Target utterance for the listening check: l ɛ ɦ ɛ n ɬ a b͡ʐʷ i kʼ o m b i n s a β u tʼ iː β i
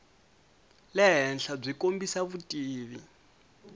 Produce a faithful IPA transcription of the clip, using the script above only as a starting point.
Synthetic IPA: l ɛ ɦ ɛ n ɬ a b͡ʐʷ i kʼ o m b i s a β u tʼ iː β i